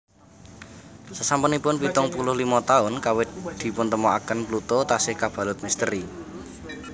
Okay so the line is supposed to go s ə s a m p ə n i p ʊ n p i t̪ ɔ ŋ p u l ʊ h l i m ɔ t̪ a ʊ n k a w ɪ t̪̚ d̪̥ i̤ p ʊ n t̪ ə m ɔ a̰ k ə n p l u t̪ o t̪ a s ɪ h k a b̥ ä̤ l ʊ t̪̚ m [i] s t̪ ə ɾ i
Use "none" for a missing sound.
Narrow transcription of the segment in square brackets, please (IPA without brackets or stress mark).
i